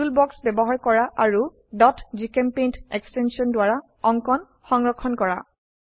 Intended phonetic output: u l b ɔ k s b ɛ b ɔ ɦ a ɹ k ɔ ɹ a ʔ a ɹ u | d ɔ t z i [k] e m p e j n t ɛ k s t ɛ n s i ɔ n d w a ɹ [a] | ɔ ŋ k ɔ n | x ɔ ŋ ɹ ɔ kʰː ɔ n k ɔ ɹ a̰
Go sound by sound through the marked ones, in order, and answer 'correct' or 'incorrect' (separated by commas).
correct, correct